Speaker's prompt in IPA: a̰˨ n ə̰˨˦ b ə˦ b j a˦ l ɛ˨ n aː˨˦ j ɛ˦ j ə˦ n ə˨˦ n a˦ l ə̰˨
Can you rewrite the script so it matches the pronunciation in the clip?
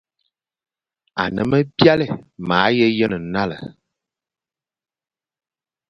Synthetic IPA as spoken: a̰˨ n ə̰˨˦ m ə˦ b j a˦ l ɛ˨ m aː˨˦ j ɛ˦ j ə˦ n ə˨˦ n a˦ l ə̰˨